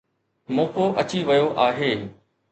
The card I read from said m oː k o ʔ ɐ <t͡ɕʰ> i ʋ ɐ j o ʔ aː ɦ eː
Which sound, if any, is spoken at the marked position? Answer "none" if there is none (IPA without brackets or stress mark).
t͡ɕ